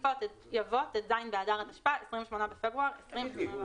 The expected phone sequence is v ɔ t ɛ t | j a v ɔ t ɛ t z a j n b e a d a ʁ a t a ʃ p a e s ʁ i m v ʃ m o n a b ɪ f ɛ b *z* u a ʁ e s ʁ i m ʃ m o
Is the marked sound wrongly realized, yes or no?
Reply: yes